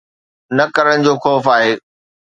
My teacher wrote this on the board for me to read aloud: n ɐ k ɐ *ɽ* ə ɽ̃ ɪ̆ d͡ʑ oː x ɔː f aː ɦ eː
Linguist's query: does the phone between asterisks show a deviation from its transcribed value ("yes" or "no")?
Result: yes